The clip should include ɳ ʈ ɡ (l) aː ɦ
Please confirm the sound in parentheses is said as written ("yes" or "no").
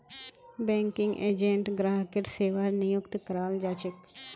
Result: no